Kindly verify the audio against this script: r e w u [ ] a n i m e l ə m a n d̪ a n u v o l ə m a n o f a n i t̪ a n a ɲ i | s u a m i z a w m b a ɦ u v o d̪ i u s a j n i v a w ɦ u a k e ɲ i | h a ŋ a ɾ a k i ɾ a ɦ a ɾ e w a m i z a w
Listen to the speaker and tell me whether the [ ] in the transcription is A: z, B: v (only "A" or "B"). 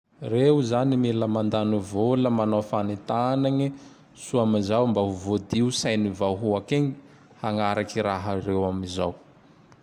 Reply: A